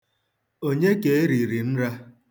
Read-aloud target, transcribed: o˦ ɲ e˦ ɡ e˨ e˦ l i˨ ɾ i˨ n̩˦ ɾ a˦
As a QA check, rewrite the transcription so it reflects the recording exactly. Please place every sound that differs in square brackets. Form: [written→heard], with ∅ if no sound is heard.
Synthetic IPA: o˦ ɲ e˦ [ɡ→k] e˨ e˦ [l→ɾ] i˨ ɾ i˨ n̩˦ ɾ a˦